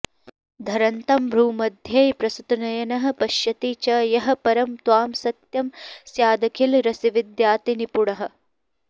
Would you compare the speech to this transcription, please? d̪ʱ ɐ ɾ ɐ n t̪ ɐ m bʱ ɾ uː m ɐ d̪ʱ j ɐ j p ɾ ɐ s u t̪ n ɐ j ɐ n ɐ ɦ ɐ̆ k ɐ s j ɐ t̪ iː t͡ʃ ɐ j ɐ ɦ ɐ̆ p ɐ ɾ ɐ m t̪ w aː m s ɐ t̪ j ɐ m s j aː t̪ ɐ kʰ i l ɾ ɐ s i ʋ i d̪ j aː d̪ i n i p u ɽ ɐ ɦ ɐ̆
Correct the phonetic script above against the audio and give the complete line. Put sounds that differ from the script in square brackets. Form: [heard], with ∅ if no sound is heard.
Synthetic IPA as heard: d̪ʱ ɐ ɾ ɐ n t̪ ɐ m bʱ ɾ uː m ɐ d̪ʱ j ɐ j p ɾ ɐ s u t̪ n ɐ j ɐ n ɐ ɦ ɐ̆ [p] ɐ [ʃ] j ɐ t̪ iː t͡ʃ ɐ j ɐ ɦ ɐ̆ p ɐ ɾ ɐ m t̪ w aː m s ɐ t̪ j ɐ m s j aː [d̪] ɐ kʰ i l ɾ ɐ s i ʋ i d̪ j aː [t̪] i n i p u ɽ ɐ ɦ ɐ̆